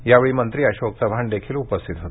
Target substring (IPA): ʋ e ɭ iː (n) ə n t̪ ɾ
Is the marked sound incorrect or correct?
incorrect